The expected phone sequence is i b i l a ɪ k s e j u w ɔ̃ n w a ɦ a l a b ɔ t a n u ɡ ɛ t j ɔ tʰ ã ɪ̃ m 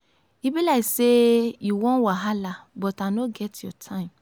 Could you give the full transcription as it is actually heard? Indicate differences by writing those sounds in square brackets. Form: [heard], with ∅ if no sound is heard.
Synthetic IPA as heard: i b i l a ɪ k s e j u w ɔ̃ n w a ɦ a l a b ɔ t a n [o] ɡ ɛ t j ɔ tʰ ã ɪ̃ m